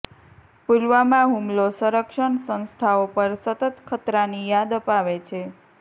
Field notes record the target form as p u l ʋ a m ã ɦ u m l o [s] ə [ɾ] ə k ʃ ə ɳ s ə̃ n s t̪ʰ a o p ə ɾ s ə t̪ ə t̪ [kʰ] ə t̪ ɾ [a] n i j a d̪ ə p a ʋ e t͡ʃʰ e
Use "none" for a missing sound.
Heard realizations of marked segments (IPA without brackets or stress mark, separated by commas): s, ɾ, kʰ, a